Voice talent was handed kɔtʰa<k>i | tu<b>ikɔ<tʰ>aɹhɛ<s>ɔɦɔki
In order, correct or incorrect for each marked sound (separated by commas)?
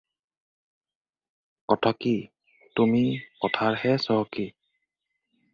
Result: correct, incorrect, correct, correct